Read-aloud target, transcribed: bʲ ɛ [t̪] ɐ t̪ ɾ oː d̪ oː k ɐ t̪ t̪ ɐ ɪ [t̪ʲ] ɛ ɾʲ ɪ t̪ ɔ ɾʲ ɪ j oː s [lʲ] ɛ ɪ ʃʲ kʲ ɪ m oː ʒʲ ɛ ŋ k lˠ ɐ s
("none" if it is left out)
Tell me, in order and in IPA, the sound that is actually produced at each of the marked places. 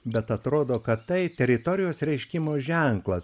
t̪, t̪ʲ, ɾʲ

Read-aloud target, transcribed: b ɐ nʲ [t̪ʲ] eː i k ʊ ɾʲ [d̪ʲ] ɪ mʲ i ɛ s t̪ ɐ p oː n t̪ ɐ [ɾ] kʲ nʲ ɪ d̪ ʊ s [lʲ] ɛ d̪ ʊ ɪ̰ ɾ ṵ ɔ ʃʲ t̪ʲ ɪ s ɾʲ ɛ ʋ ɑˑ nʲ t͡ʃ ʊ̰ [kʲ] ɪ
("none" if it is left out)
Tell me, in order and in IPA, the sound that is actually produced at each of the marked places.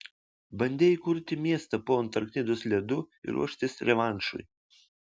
d̪ʲ, t̪ʲ, ɾ, lʲ, none

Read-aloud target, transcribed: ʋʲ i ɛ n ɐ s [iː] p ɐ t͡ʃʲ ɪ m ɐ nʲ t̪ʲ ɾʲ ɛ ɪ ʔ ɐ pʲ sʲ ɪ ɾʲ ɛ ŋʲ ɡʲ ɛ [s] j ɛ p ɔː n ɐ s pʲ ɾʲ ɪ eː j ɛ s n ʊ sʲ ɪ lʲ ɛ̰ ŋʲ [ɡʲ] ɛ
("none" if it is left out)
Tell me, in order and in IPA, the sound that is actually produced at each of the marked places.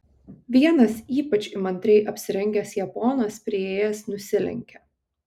iː, s, kʲ

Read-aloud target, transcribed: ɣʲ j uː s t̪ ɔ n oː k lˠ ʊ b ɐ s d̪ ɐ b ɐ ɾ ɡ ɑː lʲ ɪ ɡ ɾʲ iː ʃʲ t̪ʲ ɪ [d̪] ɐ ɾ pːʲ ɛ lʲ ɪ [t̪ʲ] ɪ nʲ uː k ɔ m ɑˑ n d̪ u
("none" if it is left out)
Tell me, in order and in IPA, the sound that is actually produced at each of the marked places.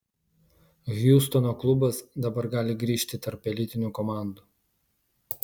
t̪, t̪ʲ

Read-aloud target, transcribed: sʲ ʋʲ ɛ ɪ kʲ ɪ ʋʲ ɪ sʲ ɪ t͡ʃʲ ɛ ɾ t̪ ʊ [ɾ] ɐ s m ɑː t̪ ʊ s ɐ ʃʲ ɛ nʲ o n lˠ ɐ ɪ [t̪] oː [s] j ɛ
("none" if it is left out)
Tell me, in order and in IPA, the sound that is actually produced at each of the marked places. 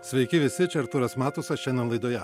ɾ, d̪, none

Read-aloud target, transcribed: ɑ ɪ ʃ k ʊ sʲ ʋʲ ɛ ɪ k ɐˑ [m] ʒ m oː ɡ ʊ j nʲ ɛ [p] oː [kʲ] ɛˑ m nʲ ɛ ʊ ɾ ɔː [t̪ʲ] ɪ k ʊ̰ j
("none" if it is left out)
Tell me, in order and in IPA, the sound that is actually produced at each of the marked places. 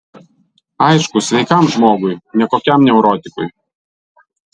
m, k, kʲ, t̪ʲ

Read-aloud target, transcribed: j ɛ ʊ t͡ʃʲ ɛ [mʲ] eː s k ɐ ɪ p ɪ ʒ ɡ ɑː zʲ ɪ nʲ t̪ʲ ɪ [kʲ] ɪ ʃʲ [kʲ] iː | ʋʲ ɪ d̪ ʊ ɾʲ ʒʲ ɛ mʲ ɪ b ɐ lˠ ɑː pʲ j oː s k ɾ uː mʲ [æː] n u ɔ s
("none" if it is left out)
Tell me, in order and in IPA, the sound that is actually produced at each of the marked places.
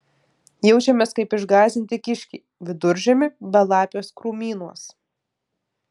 mʲ, kʲ, kʲ, iː

